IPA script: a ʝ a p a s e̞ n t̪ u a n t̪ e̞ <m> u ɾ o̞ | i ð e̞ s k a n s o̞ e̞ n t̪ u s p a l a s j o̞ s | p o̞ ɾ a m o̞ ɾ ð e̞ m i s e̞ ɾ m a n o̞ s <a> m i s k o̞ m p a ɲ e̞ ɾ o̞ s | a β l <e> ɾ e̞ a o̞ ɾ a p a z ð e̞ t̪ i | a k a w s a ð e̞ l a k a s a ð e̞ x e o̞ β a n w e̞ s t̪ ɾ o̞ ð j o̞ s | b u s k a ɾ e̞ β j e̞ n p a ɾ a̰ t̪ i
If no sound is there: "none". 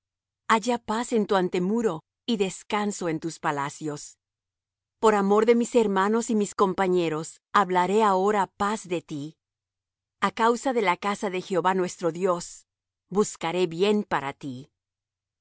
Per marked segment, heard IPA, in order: m, i, a

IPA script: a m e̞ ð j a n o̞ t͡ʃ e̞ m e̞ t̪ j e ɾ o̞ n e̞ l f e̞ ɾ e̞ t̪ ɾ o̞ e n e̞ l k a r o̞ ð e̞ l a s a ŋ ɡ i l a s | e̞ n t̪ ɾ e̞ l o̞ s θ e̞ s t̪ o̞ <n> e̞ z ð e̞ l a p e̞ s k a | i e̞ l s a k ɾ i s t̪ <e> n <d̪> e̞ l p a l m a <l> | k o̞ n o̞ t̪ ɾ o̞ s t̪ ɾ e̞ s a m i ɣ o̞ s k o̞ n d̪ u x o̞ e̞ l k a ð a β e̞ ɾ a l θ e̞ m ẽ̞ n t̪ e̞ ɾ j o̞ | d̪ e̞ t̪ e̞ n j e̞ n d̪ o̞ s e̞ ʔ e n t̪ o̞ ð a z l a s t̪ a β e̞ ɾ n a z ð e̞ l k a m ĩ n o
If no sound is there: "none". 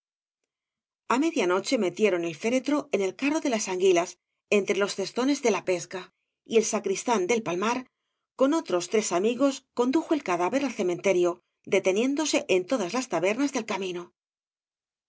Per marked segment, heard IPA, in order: n, a, d̪, ɾ

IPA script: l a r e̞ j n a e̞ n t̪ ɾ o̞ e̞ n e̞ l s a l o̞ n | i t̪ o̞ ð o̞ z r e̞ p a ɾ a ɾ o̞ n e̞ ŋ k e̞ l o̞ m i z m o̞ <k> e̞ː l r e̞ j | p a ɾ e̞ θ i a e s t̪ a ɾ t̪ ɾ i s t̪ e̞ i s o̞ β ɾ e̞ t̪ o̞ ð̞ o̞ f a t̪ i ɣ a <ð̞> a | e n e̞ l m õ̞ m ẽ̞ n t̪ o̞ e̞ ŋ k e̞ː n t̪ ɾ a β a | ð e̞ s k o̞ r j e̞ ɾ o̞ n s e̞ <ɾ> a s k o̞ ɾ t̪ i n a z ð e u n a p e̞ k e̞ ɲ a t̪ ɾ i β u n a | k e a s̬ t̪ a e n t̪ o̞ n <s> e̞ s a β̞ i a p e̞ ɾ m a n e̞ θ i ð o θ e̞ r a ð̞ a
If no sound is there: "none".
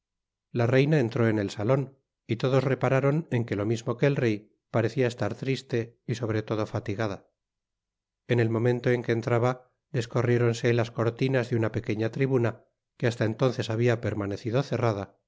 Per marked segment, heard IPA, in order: k, ð̞, l, θ

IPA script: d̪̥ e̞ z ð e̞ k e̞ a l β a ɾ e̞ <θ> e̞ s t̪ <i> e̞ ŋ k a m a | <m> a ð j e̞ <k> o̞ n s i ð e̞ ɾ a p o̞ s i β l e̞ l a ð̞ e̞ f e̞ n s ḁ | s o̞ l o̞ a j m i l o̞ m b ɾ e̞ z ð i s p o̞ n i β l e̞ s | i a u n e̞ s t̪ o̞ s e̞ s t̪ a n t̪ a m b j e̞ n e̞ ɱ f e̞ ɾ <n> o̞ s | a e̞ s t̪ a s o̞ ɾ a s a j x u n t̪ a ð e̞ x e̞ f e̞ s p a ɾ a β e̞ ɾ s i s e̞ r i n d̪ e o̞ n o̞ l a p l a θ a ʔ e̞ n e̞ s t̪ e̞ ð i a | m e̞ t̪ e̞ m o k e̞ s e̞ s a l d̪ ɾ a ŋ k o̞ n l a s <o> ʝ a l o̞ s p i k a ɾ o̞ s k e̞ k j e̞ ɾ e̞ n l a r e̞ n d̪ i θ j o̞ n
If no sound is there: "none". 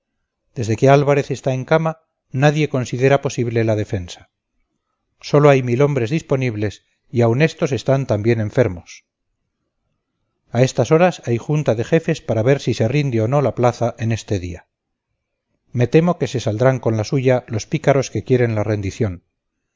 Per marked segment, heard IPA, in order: θ, a, n, k, m, u

